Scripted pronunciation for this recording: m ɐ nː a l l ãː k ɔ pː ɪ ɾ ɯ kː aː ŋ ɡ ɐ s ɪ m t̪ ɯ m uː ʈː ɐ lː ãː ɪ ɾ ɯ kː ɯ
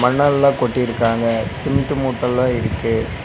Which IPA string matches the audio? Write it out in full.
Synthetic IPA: m ɐ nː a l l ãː k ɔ ʈː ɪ ɾ ɯ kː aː ŋ ɡ ɐ s ɪ m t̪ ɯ m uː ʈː ɐ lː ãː ɪ ɾ ɯ kː ɯ